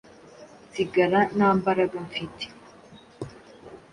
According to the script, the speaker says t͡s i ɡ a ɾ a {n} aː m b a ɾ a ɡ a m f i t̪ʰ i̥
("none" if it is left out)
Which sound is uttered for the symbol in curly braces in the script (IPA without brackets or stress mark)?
n